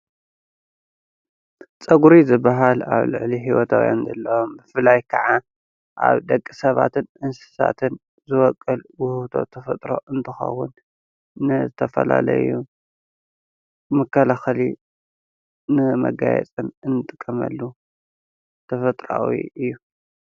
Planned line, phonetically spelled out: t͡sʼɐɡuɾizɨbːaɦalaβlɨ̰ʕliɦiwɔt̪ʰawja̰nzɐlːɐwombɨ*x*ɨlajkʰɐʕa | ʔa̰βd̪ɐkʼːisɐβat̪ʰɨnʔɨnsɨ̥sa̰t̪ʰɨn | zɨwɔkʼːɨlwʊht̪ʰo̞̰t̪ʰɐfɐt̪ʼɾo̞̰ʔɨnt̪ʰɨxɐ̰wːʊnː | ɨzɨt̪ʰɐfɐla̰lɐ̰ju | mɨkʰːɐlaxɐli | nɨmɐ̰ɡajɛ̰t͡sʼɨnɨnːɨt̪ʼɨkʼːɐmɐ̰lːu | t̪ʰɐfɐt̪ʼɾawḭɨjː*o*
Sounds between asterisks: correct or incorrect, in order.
incorrect: f, incorrect: u

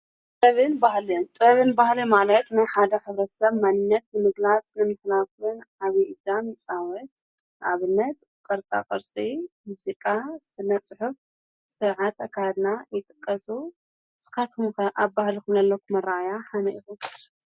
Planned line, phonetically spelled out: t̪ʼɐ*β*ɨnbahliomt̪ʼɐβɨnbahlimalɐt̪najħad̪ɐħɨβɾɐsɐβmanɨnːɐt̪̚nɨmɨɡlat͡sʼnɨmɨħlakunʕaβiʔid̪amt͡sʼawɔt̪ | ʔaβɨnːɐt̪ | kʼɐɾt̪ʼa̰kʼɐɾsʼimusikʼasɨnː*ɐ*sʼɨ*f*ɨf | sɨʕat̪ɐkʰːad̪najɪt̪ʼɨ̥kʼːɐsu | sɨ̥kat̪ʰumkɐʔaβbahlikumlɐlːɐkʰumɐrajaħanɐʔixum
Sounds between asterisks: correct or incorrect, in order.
correct, correct, incorrect: ħ

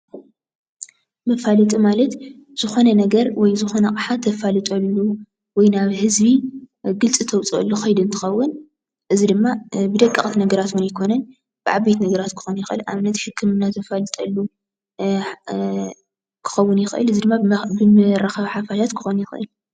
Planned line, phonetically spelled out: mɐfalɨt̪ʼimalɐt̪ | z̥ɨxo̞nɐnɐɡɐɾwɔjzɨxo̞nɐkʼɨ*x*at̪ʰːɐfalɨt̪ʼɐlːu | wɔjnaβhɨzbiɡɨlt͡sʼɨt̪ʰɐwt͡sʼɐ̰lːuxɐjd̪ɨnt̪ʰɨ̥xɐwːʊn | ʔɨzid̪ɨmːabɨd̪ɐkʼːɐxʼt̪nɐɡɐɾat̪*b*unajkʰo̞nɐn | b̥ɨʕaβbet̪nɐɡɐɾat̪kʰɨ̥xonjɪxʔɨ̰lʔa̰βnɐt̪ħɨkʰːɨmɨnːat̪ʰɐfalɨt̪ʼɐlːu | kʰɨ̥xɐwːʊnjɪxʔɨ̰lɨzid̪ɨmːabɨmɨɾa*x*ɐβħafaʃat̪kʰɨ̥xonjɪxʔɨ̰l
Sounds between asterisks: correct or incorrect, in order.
incorrect: ħ, incorrect: w, correct

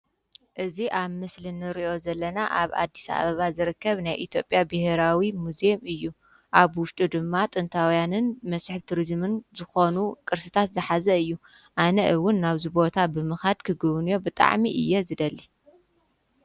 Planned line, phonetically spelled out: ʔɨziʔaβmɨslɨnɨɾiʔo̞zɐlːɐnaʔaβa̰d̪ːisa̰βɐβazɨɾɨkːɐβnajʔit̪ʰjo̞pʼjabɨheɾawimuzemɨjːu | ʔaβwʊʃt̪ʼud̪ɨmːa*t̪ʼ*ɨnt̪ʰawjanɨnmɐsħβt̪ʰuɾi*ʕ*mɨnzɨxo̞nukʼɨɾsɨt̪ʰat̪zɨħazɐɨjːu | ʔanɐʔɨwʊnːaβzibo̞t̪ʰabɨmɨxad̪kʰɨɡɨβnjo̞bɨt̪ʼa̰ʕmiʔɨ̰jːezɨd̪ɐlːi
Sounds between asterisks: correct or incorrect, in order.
correct, incorrect: z

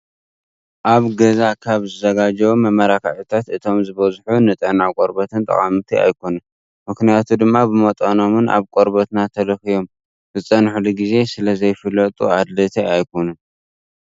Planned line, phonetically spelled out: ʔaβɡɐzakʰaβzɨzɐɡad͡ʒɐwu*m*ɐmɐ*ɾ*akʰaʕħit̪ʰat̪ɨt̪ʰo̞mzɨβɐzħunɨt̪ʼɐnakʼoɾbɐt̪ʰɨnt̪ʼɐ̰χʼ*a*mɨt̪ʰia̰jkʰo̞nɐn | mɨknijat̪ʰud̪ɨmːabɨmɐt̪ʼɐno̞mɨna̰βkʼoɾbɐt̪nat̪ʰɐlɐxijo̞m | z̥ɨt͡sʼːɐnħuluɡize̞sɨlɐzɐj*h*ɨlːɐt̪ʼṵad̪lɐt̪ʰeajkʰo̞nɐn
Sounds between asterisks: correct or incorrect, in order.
correct, correct, correct, incorrect: f

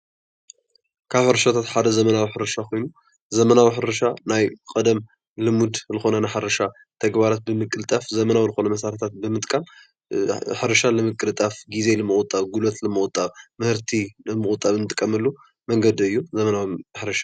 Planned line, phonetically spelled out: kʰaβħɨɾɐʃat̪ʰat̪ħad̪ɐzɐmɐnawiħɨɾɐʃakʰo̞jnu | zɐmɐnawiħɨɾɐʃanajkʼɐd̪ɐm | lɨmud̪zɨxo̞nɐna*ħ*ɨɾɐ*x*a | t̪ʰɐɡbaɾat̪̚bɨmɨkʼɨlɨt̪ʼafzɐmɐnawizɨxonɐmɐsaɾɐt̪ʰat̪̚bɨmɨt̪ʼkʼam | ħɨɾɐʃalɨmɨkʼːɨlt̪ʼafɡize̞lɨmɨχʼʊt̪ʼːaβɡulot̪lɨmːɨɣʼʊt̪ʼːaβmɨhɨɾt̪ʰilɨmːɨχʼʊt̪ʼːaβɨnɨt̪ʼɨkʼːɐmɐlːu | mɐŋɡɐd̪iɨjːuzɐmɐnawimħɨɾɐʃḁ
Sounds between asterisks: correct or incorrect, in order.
correct, incorrect: ʃ

